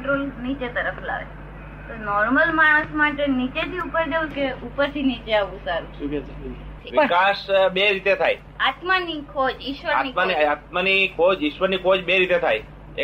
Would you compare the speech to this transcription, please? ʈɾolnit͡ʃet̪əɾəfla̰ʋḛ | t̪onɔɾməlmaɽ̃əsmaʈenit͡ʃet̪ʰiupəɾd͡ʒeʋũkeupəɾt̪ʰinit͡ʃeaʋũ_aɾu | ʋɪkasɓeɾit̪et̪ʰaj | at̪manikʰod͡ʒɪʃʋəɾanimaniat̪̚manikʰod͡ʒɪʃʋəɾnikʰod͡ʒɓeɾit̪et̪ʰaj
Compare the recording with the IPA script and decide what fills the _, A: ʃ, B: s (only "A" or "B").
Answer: B